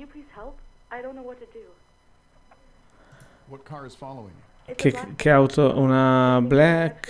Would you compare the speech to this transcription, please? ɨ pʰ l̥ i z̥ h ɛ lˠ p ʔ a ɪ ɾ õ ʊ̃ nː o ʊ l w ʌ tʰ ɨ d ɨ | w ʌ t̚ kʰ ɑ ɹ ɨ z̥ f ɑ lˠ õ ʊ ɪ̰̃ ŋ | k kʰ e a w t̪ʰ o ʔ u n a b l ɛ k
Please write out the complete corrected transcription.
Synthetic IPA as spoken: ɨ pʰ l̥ i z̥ h ɛ lˠ p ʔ a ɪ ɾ õ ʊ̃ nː o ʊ w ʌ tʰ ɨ d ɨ | w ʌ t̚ kʰ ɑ ɹ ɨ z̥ f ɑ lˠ o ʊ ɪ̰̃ ŋ | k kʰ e a w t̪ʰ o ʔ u n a b l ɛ k